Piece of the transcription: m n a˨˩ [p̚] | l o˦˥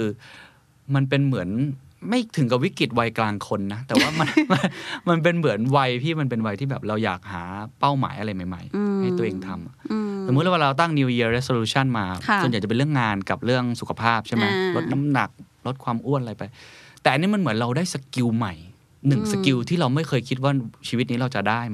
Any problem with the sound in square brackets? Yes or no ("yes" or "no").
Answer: yes